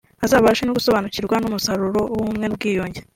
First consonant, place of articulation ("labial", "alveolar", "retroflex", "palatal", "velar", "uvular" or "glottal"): alveolar